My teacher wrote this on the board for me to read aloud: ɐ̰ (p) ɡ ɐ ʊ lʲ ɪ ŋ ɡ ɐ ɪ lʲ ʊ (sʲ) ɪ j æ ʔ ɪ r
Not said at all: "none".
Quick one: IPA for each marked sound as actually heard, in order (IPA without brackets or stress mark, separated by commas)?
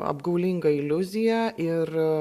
b, zʲ